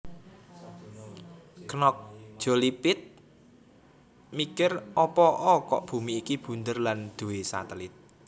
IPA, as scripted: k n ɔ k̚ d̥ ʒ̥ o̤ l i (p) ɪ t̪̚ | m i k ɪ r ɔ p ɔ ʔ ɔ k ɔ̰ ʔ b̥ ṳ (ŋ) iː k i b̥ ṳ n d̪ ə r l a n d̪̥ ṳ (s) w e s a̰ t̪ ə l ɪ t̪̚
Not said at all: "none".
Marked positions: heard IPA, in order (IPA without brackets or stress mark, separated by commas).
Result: p, m, none